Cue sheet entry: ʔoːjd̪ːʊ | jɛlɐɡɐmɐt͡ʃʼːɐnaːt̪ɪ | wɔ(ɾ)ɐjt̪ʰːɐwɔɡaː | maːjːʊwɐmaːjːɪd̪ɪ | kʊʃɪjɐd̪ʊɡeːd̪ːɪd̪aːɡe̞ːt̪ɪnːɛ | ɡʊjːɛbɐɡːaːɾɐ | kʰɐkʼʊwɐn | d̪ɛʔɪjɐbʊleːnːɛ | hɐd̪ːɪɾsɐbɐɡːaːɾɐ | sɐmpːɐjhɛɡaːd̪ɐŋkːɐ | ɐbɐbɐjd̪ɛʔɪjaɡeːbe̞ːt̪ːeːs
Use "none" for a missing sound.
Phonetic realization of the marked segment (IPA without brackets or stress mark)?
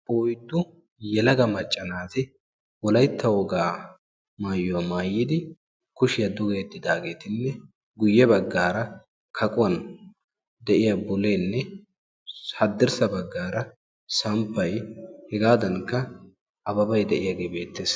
l